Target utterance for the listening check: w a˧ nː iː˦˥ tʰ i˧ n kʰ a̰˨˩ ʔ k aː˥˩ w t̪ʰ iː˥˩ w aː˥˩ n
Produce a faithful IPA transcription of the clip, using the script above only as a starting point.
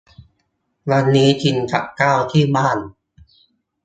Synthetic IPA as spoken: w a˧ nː iː˦˥ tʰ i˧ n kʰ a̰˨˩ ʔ k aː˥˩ w t̪ʰ iː˥˩ b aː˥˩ n